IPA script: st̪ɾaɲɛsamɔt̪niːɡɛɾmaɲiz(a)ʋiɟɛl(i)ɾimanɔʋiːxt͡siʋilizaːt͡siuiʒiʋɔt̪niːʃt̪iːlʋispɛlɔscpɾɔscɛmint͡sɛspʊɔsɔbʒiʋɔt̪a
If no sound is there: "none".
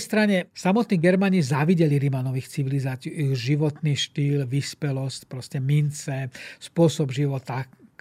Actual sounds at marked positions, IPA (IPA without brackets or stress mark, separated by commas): a, i